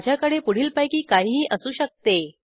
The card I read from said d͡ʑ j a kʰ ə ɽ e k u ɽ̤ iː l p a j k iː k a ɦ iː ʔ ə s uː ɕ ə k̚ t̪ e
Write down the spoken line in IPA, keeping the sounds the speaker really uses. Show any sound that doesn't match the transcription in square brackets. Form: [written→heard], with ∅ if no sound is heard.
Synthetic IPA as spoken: d͡ʑ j a [kʰ→k] ə ɽ e [k→p] u ɽ̤ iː l p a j k iː k a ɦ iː ʔ ə s uː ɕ ə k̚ t̪ e